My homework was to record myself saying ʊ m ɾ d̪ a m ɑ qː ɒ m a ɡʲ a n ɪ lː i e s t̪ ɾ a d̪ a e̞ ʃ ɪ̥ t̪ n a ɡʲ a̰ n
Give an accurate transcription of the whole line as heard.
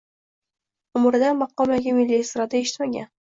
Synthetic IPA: ʊ m ɾ d̪ a m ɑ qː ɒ m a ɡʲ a m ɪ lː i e s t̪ ɾ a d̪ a e̞ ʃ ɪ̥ t̪ m a ɡʲ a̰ n